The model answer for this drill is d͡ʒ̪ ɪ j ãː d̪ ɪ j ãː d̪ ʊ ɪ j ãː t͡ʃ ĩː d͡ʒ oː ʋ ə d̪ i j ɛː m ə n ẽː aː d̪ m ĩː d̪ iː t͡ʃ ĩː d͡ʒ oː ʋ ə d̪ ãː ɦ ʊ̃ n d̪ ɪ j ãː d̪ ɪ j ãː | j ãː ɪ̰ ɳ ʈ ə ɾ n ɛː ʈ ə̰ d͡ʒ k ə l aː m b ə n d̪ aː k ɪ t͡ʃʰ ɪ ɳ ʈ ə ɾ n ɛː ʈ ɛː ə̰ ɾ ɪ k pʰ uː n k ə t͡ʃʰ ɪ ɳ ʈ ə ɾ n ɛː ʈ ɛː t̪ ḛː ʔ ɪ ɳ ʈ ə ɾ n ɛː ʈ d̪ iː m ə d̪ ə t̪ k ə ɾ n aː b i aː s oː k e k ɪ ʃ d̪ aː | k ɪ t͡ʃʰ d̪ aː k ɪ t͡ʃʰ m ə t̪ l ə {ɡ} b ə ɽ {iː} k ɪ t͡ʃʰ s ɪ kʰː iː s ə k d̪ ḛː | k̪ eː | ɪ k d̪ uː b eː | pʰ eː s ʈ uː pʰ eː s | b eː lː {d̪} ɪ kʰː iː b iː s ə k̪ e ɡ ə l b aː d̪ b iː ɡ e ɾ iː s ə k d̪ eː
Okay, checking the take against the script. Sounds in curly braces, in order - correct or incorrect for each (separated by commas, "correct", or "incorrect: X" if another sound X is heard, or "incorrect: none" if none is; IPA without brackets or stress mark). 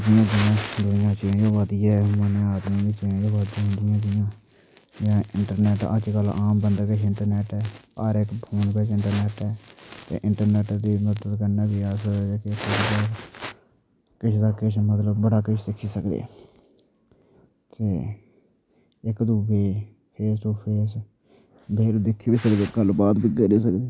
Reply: incorrect: b, incorrect: aː, correct